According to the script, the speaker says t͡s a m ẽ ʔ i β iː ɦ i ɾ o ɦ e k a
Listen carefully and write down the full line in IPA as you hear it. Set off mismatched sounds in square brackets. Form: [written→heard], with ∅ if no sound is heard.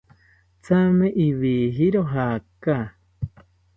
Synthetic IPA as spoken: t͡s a m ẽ ʔ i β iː ɦ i ɾ o ɦ [e→a] k a